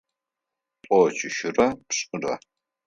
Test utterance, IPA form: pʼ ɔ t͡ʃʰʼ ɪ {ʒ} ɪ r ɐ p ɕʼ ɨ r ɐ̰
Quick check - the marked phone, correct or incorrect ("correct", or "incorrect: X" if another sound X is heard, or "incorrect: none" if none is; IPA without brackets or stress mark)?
incorrect: ʃ